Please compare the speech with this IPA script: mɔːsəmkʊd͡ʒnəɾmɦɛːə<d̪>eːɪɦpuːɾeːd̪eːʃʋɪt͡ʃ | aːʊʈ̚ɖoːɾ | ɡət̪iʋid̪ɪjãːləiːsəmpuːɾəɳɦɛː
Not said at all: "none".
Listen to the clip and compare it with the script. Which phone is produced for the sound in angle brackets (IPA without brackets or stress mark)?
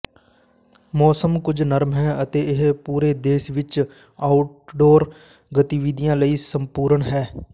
t̪